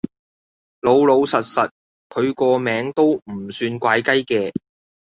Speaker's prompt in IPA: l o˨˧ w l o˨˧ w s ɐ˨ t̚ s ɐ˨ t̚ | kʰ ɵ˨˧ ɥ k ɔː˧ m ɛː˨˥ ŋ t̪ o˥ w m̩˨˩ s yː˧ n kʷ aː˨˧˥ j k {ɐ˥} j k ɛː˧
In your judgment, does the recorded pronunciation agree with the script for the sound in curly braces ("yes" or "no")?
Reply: yes